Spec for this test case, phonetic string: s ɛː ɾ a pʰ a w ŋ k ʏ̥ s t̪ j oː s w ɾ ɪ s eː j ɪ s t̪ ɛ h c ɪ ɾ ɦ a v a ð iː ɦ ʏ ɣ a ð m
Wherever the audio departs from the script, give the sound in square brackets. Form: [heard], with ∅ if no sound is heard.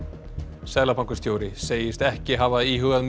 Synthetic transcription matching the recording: s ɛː [l] a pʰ a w ŋ k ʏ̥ s t̪ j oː [∅] w ɾ ɪ s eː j ɪ s t̪ ɛ h c ɪ [∅] ɦ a v a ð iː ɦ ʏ ɣ a ð m